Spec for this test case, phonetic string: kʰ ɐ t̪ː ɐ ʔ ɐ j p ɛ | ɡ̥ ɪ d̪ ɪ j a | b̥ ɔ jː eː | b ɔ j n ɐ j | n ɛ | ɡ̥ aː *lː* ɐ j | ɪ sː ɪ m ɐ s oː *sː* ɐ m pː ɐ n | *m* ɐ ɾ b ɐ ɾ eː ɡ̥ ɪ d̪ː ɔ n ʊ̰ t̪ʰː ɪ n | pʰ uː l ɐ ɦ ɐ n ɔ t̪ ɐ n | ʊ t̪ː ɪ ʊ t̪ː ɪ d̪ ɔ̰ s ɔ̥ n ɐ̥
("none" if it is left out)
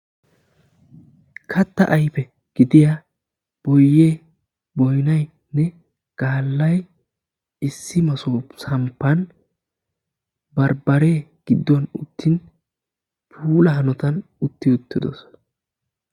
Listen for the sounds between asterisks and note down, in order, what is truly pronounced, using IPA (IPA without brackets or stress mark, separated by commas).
lː, s, b